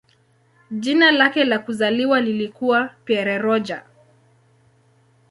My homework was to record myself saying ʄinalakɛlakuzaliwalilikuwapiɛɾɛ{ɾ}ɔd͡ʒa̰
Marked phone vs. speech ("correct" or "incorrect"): correct